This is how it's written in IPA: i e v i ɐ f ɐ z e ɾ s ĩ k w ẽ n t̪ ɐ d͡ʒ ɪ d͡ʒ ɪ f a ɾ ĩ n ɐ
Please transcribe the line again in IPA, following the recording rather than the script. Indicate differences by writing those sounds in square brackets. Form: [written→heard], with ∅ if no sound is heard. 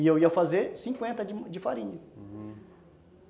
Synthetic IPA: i e [v→w] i ɐ f [ɐ→a] z e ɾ s ĩ k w ẽ n t̪ ɐ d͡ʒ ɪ d͡ʒ ɪ f a ɾ ĩ [n→ɲ] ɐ